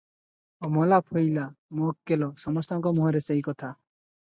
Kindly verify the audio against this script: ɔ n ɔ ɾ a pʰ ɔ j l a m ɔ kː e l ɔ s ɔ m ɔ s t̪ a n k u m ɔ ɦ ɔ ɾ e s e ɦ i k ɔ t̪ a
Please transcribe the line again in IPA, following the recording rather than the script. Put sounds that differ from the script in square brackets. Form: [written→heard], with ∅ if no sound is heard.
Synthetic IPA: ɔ [n→m] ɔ [ɾ→l] a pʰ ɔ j l a m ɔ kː e l ɔ s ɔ m ɔ s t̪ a [n→ŋ] k [u→ɔ] m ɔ ɦ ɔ ɾ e s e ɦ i k ɔ [t̪→t̪ʰ] a